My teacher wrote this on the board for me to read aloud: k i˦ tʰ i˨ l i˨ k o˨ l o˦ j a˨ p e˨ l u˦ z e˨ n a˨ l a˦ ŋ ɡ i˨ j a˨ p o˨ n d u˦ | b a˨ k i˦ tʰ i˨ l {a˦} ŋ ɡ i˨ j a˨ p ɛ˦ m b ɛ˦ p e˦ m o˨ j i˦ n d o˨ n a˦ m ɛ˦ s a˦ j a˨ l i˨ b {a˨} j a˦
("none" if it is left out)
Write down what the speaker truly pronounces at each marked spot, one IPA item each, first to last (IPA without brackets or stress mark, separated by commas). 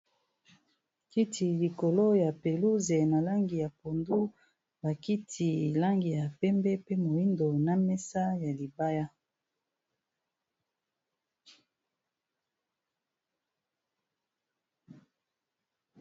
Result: a˦, a˦